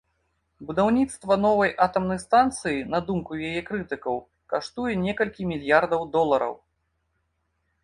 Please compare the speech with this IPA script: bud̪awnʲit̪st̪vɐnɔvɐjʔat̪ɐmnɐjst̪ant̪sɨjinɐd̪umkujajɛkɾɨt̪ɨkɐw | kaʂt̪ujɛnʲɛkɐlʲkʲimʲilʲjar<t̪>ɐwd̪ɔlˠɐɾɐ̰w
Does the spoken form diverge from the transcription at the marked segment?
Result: yes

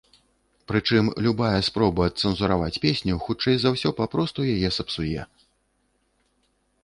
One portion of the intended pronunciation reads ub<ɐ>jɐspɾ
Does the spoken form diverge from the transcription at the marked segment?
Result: yes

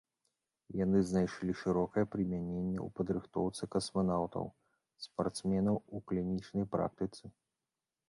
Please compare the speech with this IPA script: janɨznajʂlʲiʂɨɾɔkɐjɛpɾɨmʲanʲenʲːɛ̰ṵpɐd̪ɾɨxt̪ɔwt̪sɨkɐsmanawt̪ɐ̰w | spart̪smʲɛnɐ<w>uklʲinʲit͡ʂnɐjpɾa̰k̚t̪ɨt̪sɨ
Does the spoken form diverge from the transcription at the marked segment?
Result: no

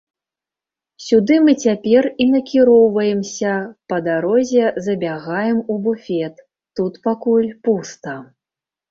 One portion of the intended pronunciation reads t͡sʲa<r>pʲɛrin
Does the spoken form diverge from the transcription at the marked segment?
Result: yes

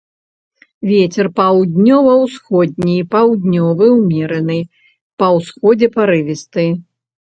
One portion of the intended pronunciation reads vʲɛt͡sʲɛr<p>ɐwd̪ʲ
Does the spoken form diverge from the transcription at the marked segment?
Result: no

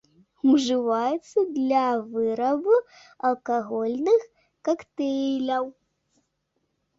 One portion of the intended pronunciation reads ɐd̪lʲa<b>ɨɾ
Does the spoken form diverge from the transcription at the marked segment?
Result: yes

